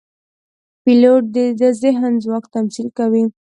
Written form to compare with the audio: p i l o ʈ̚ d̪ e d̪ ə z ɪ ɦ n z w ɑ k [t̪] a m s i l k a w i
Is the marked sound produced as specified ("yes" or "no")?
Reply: yes